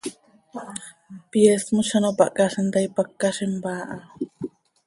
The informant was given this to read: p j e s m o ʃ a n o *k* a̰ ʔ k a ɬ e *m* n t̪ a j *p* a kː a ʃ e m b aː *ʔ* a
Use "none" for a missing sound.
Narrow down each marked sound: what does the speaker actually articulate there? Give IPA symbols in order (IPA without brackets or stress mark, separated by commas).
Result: p, none, p, ʔ